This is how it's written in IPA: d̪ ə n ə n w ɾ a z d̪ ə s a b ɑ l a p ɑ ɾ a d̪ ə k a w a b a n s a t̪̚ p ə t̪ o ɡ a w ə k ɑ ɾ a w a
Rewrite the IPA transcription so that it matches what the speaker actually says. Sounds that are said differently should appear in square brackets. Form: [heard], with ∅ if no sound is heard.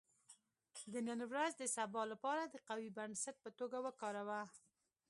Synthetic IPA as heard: d̪ ə n ə n w ɾ a z d̪ ə s a b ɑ l a p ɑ ɾ a d̪ ə [q] a w [i] b a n s a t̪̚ p ə t̪ o ɡ a w ə k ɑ ɾ a w a